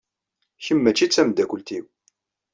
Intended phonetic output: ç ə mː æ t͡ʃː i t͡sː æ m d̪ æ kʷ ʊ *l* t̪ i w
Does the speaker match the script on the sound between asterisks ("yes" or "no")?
yes